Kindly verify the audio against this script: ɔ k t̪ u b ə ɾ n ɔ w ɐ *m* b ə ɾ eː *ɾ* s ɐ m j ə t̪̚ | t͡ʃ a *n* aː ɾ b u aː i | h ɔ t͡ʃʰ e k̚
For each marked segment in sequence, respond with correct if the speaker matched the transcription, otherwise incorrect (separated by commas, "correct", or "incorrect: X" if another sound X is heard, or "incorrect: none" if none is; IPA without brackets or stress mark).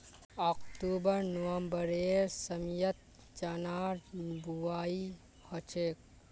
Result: correct, correct, correct